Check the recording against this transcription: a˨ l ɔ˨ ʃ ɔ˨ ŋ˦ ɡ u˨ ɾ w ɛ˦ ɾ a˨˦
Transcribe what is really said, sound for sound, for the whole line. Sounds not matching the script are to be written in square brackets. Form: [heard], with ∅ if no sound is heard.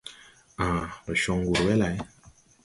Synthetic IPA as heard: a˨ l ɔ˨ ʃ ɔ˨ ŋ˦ ɡ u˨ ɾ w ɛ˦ [l] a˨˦